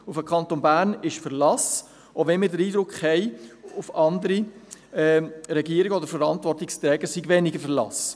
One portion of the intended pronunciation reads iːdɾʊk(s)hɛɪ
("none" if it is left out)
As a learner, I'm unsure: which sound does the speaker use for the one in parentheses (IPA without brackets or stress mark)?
χ